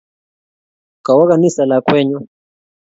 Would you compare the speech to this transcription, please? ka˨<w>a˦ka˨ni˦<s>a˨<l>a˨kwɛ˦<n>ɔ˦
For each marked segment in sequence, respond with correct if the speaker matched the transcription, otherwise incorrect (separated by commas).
correct, correct, correct, incorrect